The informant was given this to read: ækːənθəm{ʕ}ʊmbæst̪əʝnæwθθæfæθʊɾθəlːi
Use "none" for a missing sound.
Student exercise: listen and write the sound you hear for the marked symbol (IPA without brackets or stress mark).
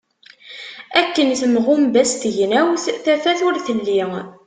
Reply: ʁ